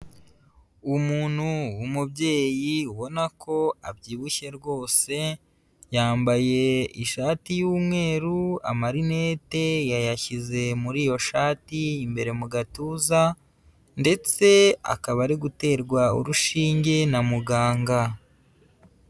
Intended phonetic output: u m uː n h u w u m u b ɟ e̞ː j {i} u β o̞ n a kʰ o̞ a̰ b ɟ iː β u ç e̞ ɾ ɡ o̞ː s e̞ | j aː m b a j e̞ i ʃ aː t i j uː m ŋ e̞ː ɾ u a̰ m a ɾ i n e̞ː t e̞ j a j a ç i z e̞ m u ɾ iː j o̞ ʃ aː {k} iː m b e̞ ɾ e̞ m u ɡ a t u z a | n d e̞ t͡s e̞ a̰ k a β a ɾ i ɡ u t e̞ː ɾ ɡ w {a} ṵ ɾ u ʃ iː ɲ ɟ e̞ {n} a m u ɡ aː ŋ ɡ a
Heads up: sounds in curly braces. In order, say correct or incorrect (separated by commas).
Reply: correct, incorrect, correct, correct